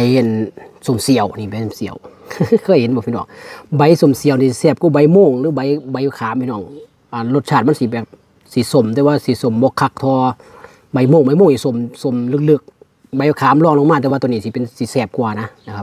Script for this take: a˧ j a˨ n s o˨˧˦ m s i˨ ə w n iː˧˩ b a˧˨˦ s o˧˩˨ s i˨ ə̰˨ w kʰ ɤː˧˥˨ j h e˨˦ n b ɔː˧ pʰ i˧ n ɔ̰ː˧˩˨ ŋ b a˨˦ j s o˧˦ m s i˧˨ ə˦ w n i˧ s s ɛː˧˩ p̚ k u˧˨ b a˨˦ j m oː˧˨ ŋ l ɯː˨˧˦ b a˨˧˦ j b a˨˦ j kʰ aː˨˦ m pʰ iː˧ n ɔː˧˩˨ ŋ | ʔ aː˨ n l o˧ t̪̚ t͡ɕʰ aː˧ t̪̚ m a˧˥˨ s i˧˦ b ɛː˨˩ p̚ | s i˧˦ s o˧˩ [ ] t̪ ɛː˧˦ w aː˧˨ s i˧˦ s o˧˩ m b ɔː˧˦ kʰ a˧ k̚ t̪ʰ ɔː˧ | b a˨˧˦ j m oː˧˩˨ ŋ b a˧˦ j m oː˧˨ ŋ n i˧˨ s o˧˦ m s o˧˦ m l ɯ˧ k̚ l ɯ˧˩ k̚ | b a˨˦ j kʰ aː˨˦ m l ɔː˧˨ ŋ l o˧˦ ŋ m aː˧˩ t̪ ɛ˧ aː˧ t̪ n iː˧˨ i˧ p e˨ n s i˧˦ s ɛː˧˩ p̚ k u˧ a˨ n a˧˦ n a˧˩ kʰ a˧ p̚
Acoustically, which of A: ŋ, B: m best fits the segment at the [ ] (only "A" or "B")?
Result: B